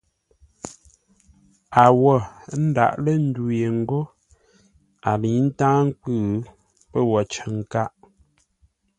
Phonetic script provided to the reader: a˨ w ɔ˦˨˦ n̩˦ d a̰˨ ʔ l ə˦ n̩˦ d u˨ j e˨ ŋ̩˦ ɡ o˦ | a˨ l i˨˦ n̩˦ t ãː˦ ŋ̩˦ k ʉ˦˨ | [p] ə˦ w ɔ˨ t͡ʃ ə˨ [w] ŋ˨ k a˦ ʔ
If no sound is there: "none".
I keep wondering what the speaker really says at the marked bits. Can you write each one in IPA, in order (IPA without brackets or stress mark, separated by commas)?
p, none